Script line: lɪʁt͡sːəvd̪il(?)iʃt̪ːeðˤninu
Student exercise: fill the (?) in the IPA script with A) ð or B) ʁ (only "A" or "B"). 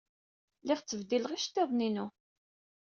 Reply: B